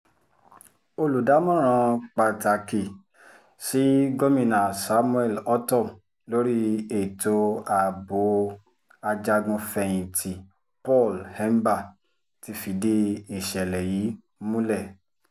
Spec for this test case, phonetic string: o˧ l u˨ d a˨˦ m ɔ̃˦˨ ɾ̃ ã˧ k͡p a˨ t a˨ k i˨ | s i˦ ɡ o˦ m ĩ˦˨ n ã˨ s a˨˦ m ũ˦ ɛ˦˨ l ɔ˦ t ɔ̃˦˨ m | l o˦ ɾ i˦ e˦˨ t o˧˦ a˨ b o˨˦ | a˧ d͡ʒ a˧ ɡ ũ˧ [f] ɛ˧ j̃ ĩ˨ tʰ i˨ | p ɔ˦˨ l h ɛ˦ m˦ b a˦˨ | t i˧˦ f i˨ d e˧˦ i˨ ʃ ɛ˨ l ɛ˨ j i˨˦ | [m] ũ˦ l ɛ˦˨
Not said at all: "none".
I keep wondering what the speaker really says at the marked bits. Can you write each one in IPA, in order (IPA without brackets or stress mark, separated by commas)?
f, m